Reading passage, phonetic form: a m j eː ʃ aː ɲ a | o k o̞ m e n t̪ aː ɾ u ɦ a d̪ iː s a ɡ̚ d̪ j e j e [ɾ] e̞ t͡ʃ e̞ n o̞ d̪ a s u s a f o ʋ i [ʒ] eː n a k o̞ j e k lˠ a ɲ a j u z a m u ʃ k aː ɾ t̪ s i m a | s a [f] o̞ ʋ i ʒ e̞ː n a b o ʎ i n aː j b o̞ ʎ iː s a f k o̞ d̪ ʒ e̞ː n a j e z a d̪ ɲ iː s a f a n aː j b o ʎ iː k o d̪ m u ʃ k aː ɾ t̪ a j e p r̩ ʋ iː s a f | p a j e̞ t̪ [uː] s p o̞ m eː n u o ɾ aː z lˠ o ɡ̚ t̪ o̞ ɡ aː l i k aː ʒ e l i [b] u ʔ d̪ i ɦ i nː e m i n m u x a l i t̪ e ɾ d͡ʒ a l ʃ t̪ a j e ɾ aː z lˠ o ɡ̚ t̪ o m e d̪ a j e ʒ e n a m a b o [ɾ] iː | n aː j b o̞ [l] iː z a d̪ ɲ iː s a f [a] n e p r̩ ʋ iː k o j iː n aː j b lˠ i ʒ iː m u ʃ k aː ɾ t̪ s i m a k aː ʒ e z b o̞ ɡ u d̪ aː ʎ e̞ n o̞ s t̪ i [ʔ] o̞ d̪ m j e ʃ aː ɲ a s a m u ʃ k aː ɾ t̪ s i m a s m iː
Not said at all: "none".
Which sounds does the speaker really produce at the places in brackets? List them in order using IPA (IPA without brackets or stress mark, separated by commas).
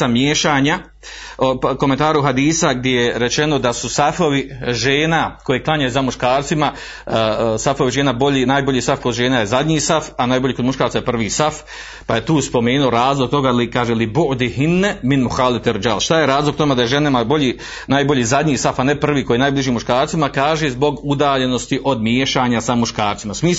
ɾ, ʒ, f, uː, b, ʎ, ʎ, a, ʔ